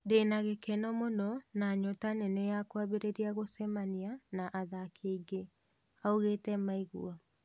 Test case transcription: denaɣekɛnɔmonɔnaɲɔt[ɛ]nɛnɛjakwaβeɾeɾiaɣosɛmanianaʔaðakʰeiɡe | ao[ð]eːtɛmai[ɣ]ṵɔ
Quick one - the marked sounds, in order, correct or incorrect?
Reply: incorrect: a, incorrect: ɣ, correct

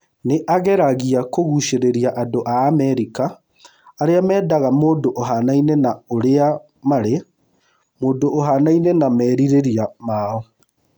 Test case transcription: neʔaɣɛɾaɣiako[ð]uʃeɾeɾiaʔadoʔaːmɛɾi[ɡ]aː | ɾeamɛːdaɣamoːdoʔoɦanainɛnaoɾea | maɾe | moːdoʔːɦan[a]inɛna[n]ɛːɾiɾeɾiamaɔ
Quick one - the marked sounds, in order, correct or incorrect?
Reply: incorrect: ɣ, incorrect: k, correct, incorrect: m

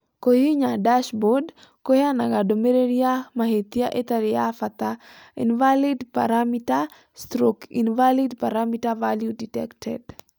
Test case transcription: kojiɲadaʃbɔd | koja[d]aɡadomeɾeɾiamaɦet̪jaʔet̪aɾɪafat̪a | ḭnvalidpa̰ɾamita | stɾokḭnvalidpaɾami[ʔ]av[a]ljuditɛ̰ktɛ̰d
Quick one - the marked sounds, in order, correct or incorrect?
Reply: incorrect: n, incorrect: t, correct

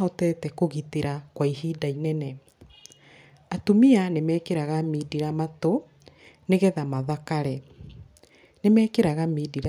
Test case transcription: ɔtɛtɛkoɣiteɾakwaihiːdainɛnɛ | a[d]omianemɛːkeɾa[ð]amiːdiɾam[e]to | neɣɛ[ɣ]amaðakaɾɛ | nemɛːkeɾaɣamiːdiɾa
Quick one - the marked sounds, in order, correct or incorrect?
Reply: incorrect: t, incorrect: ɣ, incorrect: a, incorrect: ð

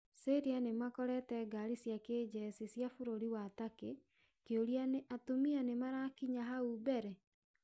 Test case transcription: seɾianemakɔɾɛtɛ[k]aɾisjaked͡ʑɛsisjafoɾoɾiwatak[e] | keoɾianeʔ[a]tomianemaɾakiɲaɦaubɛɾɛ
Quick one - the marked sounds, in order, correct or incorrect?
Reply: incorrect: ɡ, correct, correct

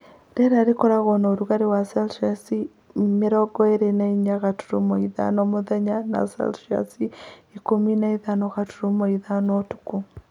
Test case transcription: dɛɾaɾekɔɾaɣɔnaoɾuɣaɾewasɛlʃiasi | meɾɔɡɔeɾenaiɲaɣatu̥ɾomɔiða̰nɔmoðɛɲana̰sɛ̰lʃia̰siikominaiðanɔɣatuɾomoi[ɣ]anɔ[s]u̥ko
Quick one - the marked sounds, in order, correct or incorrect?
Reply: incorrect: ð, incorrect: t

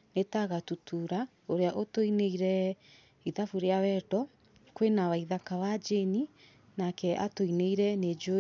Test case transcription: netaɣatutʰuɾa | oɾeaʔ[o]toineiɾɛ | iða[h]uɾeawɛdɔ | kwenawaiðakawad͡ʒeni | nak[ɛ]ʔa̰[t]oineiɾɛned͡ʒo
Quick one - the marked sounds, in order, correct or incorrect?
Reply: correct, incorrect: f, correct, correct

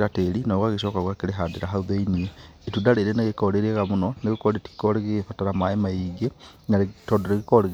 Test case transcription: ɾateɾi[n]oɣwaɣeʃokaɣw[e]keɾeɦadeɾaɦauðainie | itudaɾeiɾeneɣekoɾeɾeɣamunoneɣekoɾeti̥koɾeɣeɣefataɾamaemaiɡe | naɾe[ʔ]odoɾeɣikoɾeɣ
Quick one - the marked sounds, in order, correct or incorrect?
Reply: correct, incorrect: a, incorrect: t

